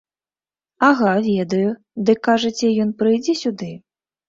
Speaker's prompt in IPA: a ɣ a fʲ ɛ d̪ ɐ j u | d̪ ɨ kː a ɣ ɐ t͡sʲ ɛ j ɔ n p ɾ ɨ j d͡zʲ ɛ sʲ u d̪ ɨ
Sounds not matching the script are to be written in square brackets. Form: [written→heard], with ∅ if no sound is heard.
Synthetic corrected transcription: a ɣ a [fʲ→vʲ] ɛ d̪ ɐ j u | d̪ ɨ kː a [ɣ→ʐ] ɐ t͡sʲ ɛ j ɔ n p ɾ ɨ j d͡zʲ ɛ sʲ u d̪ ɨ